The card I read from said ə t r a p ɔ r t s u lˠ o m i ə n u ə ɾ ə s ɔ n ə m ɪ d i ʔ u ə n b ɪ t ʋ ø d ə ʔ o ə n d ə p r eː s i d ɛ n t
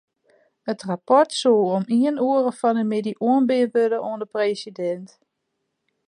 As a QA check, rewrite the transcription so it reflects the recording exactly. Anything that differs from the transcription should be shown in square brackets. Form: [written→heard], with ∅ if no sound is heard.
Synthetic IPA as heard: ə t r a p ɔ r t s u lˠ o m i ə n u ə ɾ ə [s→f] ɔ n ə m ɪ d i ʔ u ə n b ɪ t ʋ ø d ə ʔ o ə n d ə p r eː s i d ɛ n t